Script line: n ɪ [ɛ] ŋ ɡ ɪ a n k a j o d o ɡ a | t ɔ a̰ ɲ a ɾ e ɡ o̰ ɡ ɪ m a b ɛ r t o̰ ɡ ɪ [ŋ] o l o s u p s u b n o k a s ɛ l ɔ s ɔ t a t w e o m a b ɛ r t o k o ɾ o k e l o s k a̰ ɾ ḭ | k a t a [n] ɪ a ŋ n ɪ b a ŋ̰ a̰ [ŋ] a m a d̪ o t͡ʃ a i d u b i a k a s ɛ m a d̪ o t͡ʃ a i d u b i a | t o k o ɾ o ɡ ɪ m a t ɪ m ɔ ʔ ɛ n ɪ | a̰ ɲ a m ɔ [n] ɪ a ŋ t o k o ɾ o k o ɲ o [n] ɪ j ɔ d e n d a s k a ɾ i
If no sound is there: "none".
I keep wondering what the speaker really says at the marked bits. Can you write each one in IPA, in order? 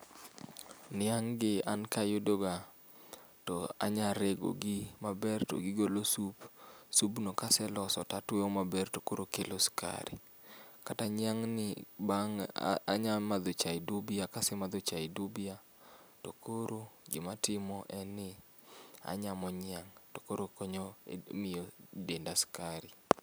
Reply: a, ɡ, ɲ, ɲ, ɲ, m

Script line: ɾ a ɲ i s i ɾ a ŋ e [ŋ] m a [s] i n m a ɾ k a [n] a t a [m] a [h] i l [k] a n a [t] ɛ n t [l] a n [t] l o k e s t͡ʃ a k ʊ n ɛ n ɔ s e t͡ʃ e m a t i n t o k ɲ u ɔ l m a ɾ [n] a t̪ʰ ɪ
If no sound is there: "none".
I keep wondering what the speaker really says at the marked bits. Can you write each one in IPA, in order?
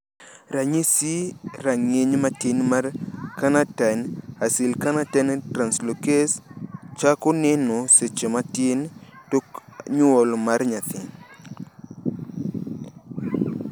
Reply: ɲ, t, n, n, s, k, t, ɾ, s, ɲ

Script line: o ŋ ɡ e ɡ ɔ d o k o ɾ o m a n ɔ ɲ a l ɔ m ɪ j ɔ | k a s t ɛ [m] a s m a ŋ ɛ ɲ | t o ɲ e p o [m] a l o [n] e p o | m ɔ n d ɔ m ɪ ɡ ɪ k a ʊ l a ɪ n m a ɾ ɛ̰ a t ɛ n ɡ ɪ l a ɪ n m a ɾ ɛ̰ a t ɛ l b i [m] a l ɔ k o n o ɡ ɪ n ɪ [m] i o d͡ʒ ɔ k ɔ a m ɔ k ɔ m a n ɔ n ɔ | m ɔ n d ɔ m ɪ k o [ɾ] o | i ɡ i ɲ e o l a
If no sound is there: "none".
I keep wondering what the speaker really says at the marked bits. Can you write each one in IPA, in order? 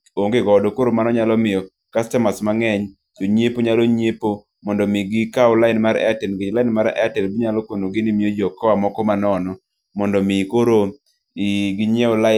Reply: m, ɲ, ɲ, ɲ, m, ɾ

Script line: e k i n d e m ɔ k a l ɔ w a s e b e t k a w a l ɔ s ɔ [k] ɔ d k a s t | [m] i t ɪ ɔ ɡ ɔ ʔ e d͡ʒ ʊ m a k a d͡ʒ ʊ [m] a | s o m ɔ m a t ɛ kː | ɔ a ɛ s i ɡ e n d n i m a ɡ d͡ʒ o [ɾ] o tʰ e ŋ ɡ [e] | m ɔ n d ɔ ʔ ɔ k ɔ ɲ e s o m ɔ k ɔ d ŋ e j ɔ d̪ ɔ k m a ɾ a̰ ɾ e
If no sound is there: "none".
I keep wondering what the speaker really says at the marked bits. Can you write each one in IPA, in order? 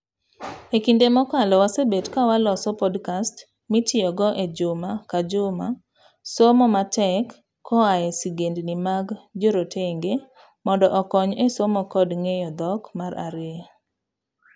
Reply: p, m, m, ɾ, e

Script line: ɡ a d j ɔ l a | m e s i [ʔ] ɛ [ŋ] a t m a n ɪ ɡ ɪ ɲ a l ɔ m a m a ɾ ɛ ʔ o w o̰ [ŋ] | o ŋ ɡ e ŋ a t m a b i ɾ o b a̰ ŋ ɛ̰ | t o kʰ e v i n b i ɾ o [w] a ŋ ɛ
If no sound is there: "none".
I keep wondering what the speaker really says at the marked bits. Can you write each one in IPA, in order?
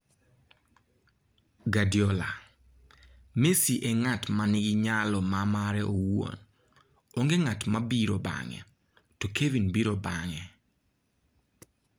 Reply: ʔ, ŋ, n, b

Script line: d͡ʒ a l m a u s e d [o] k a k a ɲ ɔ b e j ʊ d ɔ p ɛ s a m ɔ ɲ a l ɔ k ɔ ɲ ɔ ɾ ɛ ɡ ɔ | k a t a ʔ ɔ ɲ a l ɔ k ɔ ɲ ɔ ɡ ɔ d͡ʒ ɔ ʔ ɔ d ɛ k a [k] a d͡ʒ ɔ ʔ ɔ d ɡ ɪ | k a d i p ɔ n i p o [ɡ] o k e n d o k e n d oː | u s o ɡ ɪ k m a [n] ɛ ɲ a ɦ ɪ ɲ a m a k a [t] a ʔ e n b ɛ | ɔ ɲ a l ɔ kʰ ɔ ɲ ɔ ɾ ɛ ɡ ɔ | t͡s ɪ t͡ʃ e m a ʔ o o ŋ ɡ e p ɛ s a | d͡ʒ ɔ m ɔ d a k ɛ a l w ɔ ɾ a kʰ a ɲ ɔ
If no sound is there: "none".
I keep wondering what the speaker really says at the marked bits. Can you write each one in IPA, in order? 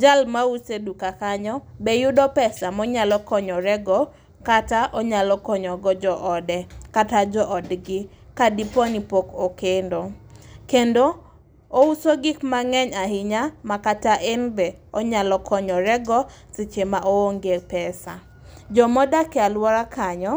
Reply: u, t, k, ŋ, t

